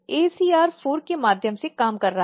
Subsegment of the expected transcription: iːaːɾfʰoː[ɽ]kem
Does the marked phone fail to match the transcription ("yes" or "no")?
yes